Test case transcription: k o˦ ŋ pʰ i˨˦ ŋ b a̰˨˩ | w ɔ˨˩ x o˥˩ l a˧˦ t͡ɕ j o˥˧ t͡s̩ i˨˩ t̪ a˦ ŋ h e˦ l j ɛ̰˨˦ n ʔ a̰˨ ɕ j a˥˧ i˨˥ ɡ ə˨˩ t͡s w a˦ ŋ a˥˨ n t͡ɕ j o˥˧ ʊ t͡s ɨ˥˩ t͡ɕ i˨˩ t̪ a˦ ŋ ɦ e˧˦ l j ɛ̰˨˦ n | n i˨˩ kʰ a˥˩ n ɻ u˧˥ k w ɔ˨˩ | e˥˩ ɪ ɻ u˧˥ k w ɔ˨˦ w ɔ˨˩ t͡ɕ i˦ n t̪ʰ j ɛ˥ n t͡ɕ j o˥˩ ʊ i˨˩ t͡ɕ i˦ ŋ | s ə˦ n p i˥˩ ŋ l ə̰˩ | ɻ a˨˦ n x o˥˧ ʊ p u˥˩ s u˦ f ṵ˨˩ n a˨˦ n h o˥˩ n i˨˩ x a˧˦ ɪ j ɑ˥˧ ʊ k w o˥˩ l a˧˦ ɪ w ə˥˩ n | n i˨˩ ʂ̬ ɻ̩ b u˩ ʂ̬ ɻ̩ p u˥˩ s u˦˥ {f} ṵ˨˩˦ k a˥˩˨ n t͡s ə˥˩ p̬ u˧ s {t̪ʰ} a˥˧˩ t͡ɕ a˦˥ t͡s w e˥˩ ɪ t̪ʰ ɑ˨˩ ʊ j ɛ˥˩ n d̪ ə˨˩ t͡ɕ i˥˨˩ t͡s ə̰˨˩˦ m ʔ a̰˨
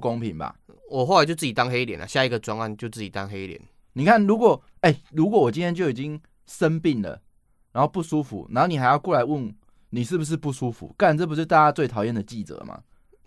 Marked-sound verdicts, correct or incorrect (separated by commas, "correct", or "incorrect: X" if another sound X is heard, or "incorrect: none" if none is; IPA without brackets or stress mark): correct, incorrect: t̪